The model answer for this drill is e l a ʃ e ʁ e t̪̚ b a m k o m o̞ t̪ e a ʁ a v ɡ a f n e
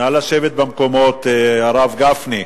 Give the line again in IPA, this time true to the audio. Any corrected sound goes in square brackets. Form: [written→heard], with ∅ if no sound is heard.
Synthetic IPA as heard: [e→a] l a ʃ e [ʁ→v] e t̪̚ b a m k o m o̞ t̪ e a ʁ a v ɡ a f n [e→i]